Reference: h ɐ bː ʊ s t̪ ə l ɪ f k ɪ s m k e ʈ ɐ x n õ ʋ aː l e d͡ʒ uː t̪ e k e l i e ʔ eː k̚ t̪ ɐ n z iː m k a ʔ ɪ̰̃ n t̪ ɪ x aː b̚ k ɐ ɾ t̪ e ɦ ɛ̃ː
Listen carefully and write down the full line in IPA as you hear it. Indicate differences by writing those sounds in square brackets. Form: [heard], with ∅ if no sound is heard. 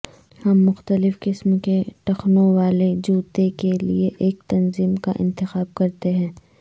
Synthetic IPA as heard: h ɐ [mː] ʊ [x] t̪ ə l ɪ f k ɪ s m k e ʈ ɐ x n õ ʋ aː l e d͡ʒ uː t̪ e k e l i e ʔ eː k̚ t̪ ɐ n z iː m k a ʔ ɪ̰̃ n t̪ ɪ x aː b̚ k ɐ ɾ t̪ e ɦ ɛ̃ː

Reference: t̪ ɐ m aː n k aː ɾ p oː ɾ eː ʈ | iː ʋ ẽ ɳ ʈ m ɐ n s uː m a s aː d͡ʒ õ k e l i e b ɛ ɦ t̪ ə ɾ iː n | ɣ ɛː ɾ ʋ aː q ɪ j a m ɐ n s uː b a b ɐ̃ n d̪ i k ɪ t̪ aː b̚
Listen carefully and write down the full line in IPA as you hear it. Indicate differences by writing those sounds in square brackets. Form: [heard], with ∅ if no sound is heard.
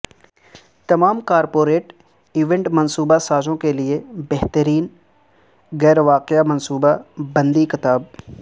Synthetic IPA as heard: t̪ ɐ m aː [m] k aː ɾ p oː ɾ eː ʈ | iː ʋ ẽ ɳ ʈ m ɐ n s uː [b] a s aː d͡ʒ õ k e l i e b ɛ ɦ t̪ ə ɾ iː n | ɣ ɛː ɾ ʋ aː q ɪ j a m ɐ n s uː b a b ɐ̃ n d̪ i k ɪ t̪ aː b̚

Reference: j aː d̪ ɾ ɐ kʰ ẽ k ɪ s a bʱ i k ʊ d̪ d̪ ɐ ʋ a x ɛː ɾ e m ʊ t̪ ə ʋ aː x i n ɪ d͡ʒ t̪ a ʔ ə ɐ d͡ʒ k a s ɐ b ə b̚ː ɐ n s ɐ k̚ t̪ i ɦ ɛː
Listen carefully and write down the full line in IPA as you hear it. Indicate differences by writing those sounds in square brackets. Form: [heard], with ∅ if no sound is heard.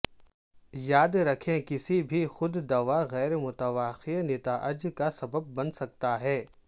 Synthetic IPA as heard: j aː d̪ ɾ ɐ kʰ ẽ k ɪ s [i] bʱ i [x] ʊ d̪ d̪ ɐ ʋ a [ɣ] ɛː ɾ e m ʊ t̪ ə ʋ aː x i n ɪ [∅] t̪ a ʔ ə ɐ d͡ʒ k a s ɐ b ə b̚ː ɐ n s ɐ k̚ t̪ [a] ɦ ɛː

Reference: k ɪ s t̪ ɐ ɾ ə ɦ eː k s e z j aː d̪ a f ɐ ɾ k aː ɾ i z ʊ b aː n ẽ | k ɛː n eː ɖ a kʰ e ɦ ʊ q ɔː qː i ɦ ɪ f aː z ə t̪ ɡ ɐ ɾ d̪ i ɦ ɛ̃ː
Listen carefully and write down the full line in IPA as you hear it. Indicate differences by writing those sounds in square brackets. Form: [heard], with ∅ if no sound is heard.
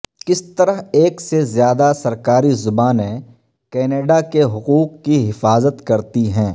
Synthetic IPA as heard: k ɪ s t̪ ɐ ɾ ə ɦ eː k s e z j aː d̪ a [s] ɐ ɾ k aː ɾ i z ʊ b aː n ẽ | k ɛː n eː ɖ a [k] e ɦ ʊ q [uː] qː i ɦ ɪ f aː z ə t̪ [k] ɐ ɾ [t̪] i ɦ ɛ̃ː

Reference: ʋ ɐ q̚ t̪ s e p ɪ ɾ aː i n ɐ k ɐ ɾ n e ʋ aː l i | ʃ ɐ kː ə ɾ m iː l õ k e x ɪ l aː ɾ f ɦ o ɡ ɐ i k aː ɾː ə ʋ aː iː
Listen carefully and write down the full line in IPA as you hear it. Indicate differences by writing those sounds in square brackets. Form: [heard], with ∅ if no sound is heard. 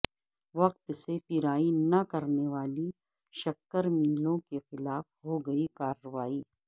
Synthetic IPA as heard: ʋ ɐ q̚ t̪ s e p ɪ ɾ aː i n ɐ k ɐ ɾ n e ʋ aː l i | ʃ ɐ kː ə ɾ m iː l õ k e x ɪ l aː [∅] f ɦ o ɡ ɐ i k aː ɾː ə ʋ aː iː

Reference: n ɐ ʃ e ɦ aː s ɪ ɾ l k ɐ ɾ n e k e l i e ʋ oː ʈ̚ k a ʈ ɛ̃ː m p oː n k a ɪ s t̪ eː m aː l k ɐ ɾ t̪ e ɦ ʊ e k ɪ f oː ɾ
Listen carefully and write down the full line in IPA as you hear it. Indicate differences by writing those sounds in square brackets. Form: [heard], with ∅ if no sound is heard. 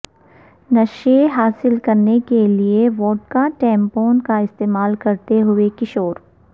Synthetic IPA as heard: n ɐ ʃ e ɦ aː s ɪ [∅] l k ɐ ɾ n e k e l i e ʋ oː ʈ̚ k a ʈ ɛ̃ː m p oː n k a ɪ s t̪ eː m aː l k ɐ ɾ t̪ e ɦ ʊ e k ɪ [ʃ] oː ɾ

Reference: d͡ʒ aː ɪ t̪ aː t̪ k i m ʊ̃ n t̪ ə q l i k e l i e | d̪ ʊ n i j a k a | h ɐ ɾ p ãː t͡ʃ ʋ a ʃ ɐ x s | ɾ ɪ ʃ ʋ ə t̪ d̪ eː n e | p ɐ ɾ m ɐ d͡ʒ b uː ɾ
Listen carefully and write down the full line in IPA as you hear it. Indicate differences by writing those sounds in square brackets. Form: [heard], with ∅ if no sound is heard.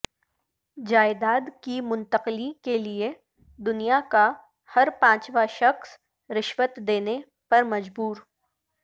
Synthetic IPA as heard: d͡ʒ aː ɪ [d̪] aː [d̪] k i m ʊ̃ n t̪ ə q l i k e l i e | d̪ ʊ n i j a k a | h ɐ ɾ p ãː t͡ʃ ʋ a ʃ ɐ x s | ɾ ɪ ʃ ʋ ə t̪ d̪ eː n e | p ɐ ɾ m ɐ d͡ʒ b uː ɾ

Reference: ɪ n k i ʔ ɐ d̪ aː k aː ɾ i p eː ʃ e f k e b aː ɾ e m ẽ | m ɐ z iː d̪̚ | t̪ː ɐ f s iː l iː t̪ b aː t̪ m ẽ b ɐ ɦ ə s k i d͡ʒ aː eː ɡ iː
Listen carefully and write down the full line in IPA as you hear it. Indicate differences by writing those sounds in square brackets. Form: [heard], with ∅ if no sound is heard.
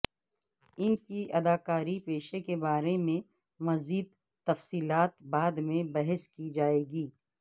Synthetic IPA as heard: ɪ n k i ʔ ɐ d̪ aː k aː ɾ i p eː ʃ e [∅] k e b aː ɾ e m ẽ | m ɐ z iː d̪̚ | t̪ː ɐ f s iː l [aː] t̪ b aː [d̪] m ẽ b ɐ ɦ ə s k i d͡ʒ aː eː ɡ iː

